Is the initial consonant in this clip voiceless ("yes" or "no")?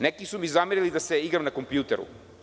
no